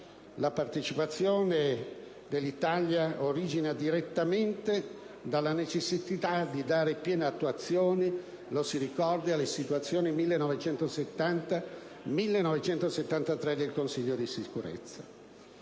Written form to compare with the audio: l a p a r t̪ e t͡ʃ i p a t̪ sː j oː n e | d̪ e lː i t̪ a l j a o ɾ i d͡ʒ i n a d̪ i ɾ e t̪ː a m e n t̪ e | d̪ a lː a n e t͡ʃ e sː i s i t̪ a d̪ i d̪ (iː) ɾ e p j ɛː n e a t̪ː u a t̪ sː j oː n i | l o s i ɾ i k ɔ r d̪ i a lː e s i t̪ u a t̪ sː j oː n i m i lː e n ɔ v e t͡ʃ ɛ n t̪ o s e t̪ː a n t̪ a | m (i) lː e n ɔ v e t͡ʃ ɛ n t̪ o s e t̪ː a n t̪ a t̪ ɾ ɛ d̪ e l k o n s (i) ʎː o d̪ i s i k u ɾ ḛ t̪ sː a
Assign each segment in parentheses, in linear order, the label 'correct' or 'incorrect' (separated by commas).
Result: incorrect, correct, correct